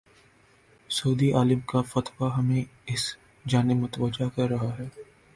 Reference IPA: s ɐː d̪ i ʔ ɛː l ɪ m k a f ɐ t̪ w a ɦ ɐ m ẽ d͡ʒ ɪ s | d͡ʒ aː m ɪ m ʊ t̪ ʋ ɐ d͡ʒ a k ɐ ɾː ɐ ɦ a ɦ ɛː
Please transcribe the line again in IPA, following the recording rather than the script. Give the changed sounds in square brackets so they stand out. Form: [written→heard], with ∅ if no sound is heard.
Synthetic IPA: s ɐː d̪ i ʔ [ɛː→aː] l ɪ m k a f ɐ t̪ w a ɦ ɐ m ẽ [d͡ʒ→∅] ɪ s | d͡ʒ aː [m→n] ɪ m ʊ t̪ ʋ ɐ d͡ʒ a k ɐ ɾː ɐ ɦ a ɦ ɛː